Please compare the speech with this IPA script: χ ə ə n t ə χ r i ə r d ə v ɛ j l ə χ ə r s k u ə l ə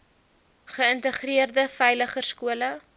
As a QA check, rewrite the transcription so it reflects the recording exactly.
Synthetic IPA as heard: χ ə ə n t ə χ r i ə r d ə f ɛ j l ə χ ə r s k u ə l ə

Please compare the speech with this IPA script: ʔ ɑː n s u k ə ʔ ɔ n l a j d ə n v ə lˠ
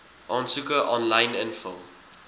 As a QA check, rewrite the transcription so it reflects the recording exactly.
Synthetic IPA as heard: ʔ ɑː n s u k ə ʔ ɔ n l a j n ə n f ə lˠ

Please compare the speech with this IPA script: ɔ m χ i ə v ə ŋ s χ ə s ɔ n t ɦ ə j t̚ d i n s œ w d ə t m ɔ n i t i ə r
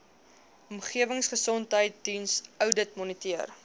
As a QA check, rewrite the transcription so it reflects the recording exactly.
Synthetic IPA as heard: ɔ m χ i ə v ə ŋ s χ ə s ɔ n t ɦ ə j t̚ d i n s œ w d ə t m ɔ n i t i ə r

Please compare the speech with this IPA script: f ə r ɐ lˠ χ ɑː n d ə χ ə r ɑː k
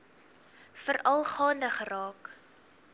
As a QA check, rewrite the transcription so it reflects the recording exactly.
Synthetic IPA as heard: f ə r ɐ lˠ χ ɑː n d ə χ ə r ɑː k

